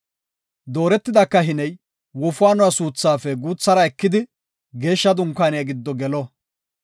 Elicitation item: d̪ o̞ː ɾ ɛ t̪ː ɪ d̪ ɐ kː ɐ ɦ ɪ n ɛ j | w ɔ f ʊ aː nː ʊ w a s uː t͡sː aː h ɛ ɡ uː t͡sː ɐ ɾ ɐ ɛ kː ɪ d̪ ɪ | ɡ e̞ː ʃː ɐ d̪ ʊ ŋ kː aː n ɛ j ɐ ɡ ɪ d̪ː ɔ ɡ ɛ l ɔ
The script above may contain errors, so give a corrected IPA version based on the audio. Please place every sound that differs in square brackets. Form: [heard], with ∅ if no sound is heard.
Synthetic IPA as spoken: d̪ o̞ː ɾ ɛ t̪ː ɪ d̪ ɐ kː ɐ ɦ ɪ n ɛ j | w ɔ f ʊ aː [n] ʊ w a s uː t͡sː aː [f] ɛ ɡ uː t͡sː ɐ ɾ ɐ ɛ kː ɪ d̪ ɪ | ɡ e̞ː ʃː ɐ d̪ ʊ ŋ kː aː n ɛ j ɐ ɡ ɪ d̪ː ɔ ɡ ɛ l ɔ

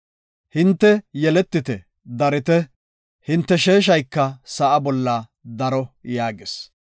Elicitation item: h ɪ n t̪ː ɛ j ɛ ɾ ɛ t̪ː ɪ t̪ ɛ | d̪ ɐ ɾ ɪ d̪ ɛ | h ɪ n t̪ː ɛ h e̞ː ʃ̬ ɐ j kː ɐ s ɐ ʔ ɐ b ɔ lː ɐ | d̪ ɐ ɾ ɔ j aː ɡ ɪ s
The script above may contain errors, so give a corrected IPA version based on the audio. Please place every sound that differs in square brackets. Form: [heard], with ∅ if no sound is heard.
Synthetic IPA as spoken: h ɪ n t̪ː ɛ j ɛ [l] ɛ t̪ː ɪ t̪ ɛ | d̪ ɐ ɾ ɪ [t̪] ɛ | h ɪ n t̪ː ɛ [ʃ] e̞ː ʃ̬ ɐ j kː ɐ s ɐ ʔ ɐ b ɔ lː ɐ | d̪ ɐ ɾ ɔ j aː ɡ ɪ s

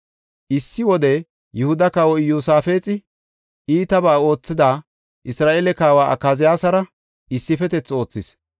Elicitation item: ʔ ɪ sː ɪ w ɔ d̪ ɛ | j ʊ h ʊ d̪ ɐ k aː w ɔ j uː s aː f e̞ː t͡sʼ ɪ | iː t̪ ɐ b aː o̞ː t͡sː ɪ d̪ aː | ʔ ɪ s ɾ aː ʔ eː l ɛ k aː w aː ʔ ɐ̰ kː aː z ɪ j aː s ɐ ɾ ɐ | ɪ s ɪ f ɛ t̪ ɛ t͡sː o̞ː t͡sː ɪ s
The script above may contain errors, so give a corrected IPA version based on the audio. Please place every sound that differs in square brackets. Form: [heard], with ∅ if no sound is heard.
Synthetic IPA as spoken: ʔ ɪ sː ɪ w ɔ d̪ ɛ | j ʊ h ʊ d̪ ɐ k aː w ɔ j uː s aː f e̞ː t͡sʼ ɪ | iː t̪ ɐ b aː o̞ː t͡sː ɪ d̪ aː | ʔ ɪ s ɾ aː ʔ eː l ɛ k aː w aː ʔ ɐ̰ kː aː z ɪ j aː s ɐ ɾ ɐ | ɪ [sː] ɪ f ɛ t̪ ɛ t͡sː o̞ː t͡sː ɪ s

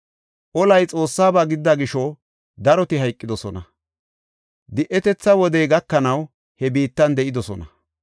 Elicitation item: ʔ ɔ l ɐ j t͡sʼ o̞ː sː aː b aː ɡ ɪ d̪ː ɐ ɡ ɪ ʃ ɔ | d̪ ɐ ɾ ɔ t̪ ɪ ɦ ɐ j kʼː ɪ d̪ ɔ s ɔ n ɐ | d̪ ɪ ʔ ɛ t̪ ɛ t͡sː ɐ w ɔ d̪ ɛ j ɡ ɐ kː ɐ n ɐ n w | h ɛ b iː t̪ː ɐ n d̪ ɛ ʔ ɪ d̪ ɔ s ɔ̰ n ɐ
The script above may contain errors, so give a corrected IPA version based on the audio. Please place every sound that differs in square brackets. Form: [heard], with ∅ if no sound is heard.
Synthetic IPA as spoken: ʔ ɔ l ɐ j t͡sʼ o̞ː sː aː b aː ɡ ɪ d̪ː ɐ ɡ ɪ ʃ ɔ | d̪ ɐ ɾ ɔ t̪ ɪ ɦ ɐ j kʼː ɪ d̪ ɔ s ɔ n ɐ | d̪ ɪ ʔ ɛ t̪ ɛ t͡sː ɐ w ɔ d̪ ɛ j ɡ ɐ kː ɐ n ɐ [∅] w | h ɛ b iː t̪ː ɐ n d̪ ɛ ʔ ɪ d̪ ɔ s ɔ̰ n ɐ

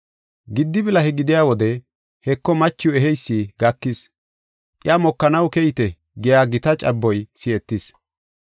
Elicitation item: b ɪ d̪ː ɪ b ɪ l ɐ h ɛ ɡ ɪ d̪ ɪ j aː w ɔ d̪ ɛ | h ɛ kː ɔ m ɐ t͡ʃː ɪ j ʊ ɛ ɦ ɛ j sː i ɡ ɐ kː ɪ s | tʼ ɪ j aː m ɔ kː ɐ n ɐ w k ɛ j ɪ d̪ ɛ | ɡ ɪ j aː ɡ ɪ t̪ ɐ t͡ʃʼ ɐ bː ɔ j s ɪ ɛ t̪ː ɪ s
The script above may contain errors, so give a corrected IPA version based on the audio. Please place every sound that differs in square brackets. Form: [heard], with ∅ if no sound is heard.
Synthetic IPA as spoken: [ɡ] ɪ d̪ː ɪ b ɪ l ɐ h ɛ ɡ ɪ d̪ ɪ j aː w ɔ d̪ ɛ | h ɛ kː ɔ m ɐ t͡ʃː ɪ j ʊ ɛ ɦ ɛ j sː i ɡ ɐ kː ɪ s | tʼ ɪ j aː m ɔ kː ɐ n ɐ w k ɛ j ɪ [t̪] ɛ | ɡ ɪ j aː ɡ ɪ t̪ ɐ t͡ʃʼ ɐ bː ɔ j s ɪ ɛ t̪ː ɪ s

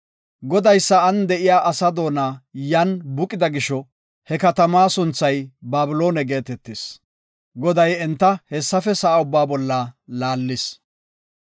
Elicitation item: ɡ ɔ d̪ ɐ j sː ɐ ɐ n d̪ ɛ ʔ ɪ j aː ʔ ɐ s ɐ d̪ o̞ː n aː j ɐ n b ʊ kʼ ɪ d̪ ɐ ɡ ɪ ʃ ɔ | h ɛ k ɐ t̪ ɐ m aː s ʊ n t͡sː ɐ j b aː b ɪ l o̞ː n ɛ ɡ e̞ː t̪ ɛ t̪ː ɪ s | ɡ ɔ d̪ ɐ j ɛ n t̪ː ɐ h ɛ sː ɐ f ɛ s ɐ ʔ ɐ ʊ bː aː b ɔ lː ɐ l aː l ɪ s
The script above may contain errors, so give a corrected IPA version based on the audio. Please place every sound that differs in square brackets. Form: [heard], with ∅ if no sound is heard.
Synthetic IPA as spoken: ɡ ɔ d̪ ɐ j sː ɐ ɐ n d̪ ɛ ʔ ɪ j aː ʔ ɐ s ɐ d̪ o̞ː n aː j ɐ n b ʊ kʼ ɪ d̪ ɐ ɡ ɪ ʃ ɔ | h ɛ k ɐ t̪ ɐ m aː s ʊ n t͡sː ɐ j b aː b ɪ l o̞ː n ɛ ɡ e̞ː t̪ ɛ t̪ː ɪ s | ɡ ɔ d̪ ɐ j ɛ n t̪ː ɐ h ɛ sː ɐ f ɛ s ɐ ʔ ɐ ʊ bː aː b ɔ lː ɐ l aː [lː] ɪ s

